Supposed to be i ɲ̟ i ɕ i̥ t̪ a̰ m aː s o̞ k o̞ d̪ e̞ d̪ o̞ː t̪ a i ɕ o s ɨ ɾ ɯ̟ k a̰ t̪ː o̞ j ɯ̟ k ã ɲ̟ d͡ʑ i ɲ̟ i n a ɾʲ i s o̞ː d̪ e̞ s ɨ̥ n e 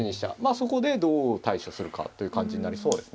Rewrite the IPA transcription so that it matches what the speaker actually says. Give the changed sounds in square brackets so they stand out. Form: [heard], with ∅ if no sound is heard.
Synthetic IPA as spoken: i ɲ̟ i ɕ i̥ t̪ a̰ m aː s o̞ k o̞ d̪ e̞ d̪ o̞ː t̪ a i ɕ o s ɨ ɾ ɯ̟ k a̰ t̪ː o̞ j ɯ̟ k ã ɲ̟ d͡ʑ i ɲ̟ i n a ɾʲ i s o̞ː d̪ e̞ s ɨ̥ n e